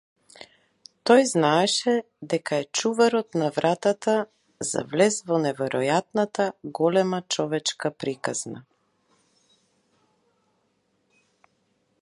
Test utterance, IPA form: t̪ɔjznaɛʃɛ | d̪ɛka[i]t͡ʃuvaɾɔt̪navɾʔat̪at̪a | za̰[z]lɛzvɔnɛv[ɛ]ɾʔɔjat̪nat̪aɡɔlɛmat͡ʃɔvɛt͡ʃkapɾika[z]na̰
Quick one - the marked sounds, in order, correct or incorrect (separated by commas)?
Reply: incorrect, incorrect, correct, correct